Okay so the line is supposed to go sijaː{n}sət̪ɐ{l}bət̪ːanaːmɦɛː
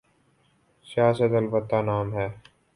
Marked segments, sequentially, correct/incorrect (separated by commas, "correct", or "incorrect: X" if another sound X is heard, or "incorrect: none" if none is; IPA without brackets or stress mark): incorrect: none, correct